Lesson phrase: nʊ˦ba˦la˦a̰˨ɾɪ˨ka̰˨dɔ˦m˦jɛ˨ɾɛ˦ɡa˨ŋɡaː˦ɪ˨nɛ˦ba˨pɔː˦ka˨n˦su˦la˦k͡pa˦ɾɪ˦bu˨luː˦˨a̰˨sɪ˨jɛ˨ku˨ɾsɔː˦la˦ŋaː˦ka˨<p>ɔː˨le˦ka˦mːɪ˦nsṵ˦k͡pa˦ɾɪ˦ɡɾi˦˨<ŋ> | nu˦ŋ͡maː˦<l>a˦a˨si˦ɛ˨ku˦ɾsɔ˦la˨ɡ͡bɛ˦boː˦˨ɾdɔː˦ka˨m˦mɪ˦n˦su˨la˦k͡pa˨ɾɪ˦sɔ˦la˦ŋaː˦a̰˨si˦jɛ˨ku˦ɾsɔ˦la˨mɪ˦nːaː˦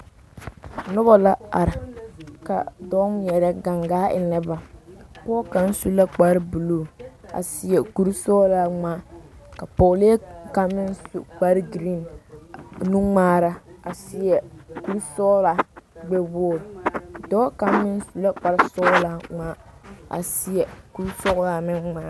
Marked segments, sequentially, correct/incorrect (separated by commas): correct, incorrect, incorrect